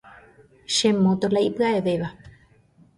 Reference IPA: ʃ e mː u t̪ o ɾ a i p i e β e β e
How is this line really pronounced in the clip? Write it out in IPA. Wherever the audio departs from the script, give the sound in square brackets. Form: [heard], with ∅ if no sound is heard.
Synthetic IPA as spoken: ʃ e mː [o] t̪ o [l] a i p [a] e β e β [a]